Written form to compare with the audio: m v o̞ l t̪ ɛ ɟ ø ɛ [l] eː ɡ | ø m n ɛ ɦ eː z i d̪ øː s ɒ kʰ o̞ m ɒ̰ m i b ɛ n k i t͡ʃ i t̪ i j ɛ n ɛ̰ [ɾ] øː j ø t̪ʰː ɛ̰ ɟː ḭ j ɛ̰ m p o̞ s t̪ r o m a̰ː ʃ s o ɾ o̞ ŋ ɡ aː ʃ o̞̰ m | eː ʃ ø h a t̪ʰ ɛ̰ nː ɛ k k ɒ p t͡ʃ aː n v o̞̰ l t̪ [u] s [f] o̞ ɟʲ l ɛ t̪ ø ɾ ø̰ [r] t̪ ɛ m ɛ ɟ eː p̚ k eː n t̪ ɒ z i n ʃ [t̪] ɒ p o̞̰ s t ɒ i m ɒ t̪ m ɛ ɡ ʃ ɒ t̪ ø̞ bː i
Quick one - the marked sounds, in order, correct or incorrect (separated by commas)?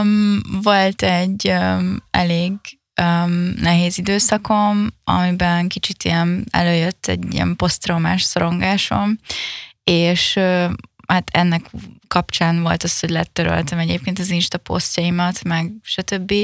correct, incorrect, incorrect, incorrect, incorrect, correct